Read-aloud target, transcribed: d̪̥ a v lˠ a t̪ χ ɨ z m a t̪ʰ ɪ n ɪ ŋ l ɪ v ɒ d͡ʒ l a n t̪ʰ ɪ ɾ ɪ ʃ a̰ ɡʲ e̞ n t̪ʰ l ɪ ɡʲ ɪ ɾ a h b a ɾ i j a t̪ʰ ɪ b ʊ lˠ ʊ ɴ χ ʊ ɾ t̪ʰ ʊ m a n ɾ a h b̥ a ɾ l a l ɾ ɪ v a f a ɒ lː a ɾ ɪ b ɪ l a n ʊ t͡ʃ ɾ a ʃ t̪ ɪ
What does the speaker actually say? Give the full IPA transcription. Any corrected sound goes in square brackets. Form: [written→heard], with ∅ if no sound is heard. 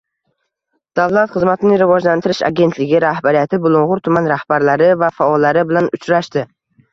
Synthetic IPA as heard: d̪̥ a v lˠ a t̪ χ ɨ z m a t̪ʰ ɪ n ɪ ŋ [l→ɾ] ɪ v ɒ d͡ʒ l a n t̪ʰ ɪ ɾ ɪ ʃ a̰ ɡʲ e̞ n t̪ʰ l ɪ ɡʲ ɪ ɾ a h b a ɾ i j a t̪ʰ ɪ b ʊ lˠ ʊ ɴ [χ→ʁ] ʊ ɾ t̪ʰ ʊ m a n ɾ a h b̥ a ɾ l a [l→∅] ɾ ɪ v a f a ɒ lː a ɾ ɪ b ɪ l a n ʊ t͡ʃ ɾ a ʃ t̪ ɪ